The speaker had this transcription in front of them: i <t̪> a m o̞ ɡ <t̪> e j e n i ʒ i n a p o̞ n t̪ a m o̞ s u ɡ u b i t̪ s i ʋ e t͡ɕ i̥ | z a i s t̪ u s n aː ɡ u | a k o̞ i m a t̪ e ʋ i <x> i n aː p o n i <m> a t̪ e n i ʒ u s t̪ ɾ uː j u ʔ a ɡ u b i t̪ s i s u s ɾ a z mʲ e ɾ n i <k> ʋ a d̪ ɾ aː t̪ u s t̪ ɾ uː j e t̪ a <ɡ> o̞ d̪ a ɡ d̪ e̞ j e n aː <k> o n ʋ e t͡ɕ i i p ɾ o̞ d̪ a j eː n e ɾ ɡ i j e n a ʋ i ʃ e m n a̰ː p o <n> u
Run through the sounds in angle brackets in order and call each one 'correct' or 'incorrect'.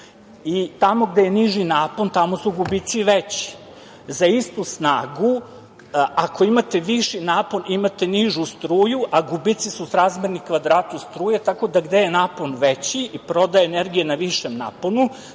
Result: correct, incorrect: d̪, incorrect: ʃ, correct, correct, incorrect: k, incorrect: p, correct

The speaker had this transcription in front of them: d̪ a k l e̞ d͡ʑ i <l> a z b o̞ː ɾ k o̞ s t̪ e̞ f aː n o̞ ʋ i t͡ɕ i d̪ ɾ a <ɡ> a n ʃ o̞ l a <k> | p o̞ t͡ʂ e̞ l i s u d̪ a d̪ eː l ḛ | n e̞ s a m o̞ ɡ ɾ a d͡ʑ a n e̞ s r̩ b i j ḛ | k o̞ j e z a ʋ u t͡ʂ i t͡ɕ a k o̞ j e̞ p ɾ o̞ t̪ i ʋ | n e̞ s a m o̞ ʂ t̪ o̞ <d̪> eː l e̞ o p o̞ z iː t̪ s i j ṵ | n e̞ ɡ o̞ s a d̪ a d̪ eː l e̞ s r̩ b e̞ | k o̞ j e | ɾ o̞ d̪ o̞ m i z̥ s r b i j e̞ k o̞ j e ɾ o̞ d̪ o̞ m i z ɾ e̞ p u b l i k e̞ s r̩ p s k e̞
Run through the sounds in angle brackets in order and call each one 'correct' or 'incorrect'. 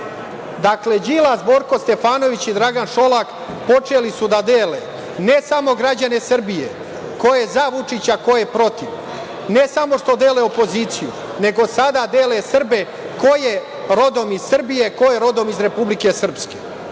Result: correct, correct, correct, correct

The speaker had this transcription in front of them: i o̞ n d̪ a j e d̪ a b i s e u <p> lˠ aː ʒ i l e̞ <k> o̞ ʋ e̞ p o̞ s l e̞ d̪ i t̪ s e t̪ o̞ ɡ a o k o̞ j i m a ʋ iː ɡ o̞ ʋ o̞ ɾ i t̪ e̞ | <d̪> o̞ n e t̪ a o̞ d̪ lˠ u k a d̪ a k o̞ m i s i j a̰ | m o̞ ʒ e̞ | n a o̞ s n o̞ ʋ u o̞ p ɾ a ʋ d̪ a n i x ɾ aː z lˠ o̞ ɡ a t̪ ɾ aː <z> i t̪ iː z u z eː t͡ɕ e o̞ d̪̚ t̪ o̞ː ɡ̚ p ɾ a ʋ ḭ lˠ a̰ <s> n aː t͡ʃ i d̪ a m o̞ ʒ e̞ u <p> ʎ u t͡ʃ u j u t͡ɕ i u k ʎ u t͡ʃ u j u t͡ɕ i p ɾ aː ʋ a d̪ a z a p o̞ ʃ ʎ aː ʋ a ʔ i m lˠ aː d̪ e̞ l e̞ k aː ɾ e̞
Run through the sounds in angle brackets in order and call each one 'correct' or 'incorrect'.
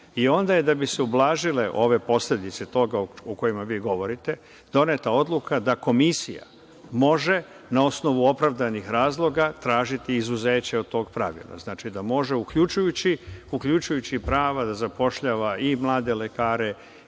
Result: incorrect: b, incorrect: ʔ, correct, incorrect: ʒ, incorrect: z, incorrect: k

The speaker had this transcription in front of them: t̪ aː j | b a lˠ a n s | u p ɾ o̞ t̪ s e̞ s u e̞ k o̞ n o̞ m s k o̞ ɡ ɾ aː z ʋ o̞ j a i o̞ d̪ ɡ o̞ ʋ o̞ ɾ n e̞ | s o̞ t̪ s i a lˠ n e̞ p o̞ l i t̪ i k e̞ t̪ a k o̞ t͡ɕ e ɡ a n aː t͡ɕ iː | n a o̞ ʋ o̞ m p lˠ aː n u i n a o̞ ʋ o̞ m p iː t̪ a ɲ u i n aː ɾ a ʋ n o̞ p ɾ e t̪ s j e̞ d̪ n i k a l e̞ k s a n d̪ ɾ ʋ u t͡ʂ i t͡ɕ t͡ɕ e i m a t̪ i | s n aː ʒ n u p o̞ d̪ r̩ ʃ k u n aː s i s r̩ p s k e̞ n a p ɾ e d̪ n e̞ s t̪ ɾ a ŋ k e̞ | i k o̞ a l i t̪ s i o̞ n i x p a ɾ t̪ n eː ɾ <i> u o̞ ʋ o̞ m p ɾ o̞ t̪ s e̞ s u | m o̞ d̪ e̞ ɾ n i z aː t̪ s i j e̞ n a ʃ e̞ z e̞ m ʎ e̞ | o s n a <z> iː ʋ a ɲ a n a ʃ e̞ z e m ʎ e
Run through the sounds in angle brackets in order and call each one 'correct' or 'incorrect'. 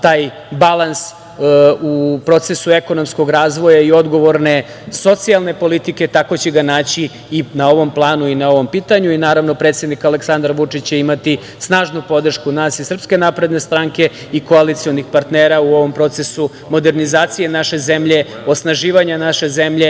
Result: incorrect: a, incorrect: ʒ

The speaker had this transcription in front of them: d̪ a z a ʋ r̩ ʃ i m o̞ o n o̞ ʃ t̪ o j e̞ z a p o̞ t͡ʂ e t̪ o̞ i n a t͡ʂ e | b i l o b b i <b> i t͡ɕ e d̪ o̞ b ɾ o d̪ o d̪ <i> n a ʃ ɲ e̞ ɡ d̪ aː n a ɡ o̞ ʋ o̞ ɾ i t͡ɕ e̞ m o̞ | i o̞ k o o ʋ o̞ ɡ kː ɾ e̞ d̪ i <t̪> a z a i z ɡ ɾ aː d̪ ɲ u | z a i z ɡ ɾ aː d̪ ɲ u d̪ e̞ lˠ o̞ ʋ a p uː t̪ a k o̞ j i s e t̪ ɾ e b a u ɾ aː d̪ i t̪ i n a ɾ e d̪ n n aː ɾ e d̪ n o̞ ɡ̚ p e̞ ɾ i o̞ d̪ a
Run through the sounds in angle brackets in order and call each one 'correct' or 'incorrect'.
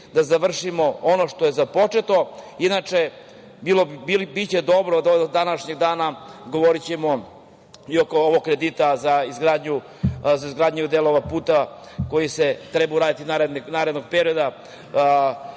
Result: correct, incorrect: a, correct

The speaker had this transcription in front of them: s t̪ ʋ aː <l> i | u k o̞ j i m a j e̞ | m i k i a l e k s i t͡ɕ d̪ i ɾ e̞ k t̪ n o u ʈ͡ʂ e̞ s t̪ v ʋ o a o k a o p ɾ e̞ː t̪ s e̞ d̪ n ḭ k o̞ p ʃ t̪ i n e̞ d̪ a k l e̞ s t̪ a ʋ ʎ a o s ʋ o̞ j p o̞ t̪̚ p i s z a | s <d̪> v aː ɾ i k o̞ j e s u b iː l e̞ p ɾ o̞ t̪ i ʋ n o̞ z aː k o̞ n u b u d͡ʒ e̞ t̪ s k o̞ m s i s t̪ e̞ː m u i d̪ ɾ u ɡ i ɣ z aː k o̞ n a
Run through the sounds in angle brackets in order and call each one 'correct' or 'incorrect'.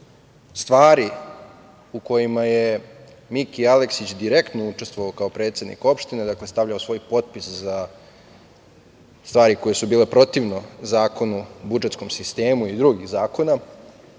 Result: incorrect: ɾ, incorrect: t̪

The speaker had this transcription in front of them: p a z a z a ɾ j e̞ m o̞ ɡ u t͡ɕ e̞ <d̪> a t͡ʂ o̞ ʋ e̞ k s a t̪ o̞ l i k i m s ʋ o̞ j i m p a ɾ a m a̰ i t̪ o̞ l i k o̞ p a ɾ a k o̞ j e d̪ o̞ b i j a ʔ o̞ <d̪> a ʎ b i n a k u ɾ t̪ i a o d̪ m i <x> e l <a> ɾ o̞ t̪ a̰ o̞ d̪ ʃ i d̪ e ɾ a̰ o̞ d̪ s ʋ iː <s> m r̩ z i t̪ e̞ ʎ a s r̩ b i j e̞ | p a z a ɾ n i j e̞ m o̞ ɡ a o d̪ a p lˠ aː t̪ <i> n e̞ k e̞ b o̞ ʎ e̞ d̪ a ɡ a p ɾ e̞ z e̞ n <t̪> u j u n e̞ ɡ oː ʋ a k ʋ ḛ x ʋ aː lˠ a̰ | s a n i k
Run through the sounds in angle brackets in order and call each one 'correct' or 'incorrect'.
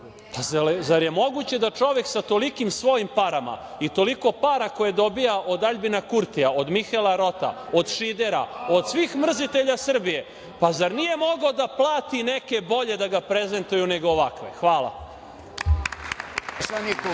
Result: correct, correct, correct, correct, incorrect: x, correct, correct

